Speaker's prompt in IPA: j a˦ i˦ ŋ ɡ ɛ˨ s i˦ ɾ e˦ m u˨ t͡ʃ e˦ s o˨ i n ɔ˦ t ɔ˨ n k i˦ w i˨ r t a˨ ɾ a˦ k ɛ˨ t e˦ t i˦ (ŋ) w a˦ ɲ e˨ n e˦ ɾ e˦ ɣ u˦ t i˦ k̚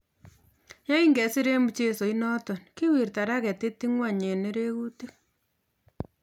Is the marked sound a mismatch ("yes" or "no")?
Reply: no